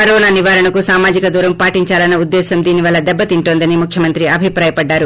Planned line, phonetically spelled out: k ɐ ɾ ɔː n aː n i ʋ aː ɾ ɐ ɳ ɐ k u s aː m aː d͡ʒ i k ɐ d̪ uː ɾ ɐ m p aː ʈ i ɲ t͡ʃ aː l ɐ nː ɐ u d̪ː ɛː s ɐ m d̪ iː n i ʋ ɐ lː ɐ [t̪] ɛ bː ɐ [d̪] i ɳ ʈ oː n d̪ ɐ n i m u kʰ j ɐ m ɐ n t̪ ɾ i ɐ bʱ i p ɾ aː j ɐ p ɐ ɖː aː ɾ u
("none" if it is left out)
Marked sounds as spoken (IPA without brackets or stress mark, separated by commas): d̪, t̪